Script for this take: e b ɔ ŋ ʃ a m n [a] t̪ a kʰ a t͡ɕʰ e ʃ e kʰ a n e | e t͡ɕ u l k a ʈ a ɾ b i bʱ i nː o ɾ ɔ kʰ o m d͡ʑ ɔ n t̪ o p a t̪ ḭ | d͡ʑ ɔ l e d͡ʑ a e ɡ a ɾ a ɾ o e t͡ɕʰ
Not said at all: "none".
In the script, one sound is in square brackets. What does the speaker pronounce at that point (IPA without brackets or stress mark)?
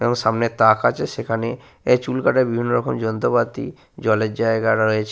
e